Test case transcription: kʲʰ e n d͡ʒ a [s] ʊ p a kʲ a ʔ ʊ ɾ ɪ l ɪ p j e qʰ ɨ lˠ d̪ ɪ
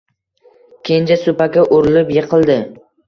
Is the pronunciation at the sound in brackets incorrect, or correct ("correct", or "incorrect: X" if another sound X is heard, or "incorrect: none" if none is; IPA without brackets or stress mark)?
correct